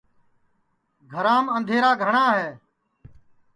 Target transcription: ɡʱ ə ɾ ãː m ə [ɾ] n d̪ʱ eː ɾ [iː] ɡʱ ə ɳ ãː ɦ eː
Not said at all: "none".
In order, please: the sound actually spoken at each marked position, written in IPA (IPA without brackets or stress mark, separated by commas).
none, aː